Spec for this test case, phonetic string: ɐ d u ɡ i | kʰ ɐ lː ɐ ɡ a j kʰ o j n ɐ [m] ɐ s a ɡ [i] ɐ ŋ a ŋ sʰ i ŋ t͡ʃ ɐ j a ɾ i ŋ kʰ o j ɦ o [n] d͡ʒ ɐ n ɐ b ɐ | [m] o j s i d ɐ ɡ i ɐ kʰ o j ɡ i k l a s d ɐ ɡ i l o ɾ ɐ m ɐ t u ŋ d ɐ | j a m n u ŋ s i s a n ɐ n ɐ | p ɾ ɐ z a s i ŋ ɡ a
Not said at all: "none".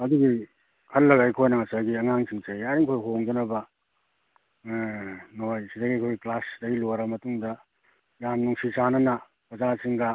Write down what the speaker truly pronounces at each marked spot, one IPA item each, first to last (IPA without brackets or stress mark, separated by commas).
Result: ŋ, i, ŋ, n